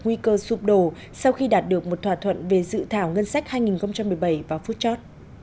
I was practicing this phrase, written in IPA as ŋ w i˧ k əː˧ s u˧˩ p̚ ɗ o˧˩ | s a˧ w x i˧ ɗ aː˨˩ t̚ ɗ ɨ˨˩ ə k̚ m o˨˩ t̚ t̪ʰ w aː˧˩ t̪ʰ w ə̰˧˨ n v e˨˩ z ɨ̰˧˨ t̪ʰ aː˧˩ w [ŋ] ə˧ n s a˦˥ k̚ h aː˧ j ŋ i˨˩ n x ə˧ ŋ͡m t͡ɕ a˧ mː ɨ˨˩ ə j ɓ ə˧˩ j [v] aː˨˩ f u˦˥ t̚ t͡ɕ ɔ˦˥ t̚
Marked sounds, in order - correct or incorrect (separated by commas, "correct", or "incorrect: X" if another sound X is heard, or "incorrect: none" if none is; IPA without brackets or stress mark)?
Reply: correct, correct